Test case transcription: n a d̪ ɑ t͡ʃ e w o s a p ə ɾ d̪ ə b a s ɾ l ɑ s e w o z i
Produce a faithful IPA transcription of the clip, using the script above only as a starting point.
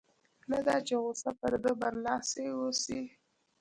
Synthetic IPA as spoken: n a d̪ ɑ t͡ʃ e ɣ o s a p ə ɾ d̪ ə b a ɾ l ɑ s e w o s i